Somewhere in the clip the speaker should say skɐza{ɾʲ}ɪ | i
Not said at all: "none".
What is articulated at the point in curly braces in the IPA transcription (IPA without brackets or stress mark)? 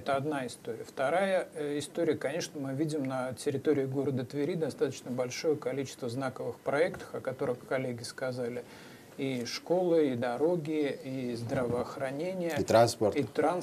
lʲ